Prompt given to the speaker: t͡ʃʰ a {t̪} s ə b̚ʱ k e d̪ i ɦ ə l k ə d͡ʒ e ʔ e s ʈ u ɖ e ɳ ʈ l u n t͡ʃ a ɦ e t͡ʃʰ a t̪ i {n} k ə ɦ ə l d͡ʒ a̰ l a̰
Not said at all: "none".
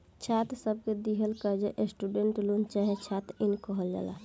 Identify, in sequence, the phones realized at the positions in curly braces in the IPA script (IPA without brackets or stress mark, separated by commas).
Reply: t̪, n